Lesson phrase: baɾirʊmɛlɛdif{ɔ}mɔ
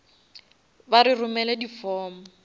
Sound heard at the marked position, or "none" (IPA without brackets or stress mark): ɔː